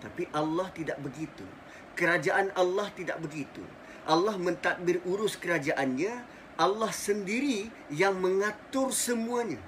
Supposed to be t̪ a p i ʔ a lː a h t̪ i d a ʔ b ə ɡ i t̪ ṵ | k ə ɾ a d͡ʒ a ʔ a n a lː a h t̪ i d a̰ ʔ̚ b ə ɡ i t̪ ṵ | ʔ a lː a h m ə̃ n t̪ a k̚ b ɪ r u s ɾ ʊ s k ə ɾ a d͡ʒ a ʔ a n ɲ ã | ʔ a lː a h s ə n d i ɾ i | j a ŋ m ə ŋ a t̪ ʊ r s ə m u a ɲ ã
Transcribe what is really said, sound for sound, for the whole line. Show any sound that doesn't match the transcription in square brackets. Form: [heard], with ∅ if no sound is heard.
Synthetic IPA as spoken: t̪ a p i ʔ a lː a h t̪ i d a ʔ b ə ɡ i t̪ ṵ | k ə ɾ a d͡ʒ a ʔ a n a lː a h t̪ i d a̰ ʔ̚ b ə ɡ i t̪ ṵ | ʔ a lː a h m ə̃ n t̪ a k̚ b ɪ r u [∅] ɾ ʊ s k ə ɾ a d͡ʒ a ʔ a n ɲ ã | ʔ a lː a h s ə n d i ɾ i | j a ŋ m ə ŋ a t̪ ʊ r s ə m u a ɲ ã